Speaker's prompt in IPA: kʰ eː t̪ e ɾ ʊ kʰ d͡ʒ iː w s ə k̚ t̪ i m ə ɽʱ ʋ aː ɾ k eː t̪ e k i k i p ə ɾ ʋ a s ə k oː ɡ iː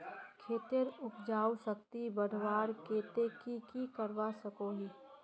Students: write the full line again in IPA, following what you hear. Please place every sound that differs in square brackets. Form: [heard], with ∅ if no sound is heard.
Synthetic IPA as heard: kʰ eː t̪ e ɾ ʊ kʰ d͡ʒ [aː] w s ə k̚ t̪ i [b] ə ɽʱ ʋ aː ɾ k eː t̪ e k i k i [k] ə ɾ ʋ a s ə k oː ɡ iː